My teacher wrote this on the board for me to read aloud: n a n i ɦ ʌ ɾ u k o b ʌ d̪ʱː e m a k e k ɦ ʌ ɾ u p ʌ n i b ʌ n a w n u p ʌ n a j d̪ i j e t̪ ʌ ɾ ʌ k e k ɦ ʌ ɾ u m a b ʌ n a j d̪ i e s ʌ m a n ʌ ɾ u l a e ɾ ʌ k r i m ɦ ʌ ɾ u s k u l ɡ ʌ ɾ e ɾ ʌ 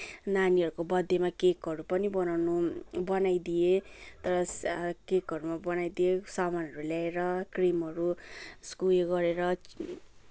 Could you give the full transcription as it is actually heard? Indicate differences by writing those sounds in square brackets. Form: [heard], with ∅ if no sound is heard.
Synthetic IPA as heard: n a n i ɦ ʌ ɾ u k o b ʌ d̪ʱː e m a k e k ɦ ʌ ɾ u p ʌ n i b ʌ n a w n u [b] ʌ n a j d̪ i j e t̪ ʌ ɾ ʌ k e k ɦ ʌ ɾ u m a b ʌ n a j d̪ i e s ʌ m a n ʌ ɾ u l a e ɾ ʌ k r i m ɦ ʌ ɾ u s k u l ɡ ʌ ɾ e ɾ ʌ